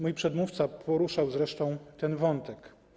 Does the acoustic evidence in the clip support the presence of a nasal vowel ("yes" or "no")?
yes